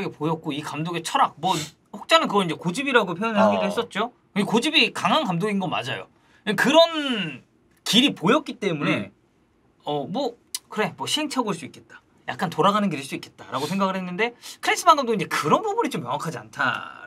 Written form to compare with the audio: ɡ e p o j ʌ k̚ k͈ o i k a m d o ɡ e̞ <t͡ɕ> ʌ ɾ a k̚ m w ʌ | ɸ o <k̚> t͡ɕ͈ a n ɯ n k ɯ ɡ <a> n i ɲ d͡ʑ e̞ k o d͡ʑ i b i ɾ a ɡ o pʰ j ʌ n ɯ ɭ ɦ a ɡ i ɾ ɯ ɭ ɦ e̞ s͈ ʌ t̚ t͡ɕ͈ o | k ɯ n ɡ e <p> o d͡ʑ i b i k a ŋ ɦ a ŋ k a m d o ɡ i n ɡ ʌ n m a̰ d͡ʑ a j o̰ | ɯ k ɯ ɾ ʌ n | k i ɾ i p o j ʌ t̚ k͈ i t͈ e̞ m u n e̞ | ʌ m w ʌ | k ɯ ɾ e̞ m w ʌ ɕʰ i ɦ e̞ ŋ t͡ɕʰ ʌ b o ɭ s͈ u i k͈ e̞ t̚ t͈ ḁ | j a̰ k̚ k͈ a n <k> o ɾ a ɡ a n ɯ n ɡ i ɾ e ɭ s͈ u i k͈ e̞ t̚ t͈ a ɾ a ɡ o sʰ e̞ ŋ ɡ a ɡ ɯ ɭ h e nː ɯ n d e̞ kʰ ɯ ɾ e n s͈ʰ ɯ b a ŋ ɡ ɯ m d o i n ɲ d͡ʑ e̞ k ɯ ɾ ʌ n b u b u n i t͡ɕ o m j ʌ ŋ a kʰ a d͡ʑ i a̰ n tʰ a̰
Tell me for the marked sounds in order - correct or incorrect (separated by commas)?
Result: incorrect, correct, incorrect, incorrect, incorrect